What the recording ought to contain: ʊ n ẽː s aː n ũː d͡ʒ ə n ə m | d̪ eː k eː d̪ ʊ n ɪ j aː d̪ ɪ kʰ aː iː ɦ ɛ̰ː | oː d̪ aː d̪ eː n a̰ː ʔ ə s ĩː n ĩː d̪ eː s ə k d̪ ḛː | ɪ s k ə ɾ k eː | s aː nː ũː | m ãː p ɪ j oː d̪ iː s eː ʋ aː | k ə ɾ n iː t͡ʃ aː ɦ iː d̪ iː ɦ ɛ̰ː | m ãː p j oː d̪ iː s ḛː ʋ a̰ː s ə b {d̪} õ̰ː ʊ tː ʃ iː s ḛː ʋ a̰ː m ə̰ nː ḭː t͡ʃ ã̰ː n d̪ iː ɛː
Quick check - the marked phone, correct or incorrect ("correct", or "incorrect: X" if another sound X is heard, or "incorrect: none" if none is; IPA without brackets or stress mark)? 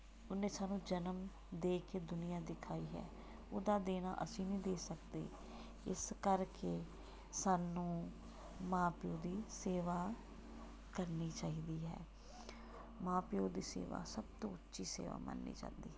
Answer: incorrect: t̪